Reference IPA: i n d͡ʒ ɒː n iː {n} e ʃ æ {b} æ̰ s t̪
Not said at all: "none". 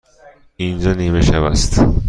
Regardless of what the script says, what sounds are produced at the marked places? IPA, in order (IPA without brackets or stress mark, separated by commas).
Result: m, v